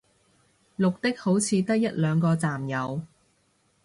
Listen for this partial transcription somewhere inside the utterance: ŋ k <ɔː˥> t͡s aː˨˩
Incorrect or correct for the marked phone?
incorrect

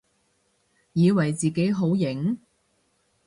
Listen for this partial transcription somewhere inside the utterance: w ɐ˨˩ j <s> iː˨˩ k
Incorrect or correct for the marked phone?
incorrect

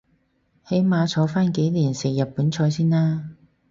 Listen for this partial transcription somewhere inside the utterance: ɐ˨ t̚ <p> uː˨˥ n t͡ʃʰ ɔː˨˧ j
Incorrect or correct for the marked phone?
correct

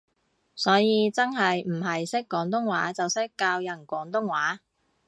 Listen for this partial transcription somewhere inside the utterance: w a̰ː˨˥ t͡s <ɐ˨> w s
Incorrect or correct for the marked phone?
correct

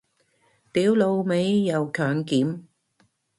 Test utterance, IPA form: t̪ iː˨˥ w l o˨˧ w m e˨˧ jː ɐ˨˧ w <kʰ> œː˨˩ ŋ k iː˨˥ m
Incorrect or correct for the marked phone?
correct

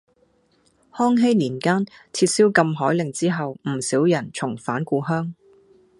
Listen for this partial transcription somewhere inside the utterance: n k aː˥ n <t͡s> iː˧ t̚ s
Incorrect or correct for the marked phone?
incorrect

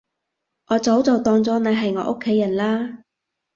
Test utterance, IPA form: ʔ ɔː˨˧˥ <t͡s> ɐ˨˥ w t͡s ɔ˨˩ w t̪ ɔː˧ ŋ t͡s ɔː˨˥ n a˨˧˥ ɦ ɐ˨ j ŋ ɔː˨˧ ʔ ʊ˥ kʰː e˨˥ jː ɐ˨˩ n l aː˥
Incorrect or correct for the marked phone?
correct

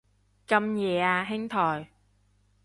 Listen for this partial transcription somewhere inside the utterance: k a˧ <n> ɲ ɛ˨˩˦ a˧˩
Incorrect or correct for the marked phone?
incorrect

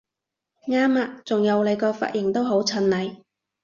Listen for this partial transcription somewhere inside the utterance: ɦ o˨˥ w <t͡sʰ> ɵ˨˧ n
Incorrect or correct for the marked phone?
correct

